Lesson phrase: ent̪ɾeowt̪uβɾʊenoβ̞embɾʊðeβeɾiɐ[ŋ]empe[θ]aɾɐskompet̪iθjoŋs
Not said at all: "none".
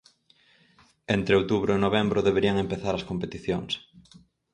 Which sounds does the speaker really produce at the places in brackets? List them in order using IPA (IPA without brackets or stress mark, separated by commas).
ŋ, θ